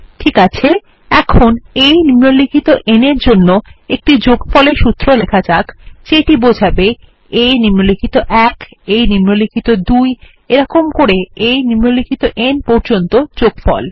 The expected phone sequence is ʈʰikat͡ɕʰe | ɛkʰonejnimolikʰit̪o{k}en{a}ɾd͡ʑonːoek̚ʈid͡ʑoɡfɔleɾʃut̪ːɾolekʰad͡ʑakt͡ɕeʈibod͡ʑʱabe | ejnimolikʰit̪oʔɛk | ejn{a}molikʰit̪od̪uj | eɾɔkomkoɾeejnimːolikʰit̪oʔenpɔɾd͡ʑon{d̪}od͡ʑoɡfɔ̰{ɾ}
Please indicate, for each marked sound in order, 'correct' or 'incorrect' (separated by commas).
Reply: incorrect, incorrect, incorrect, incorrect, incorrect